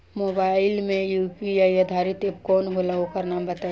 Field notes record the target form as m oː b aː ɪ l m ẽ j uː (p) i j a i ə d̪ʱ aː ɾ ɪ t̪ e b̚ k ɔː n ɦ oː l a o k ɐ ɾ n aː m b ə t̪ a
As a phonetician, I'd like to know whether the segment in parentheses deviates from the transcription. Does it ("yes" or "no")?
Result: no